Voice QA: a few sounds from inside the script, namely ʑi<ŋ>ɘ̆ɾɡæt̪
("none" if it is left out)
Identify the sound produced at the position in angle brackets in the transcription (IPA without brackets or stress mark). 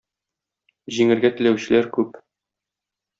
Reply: ŋ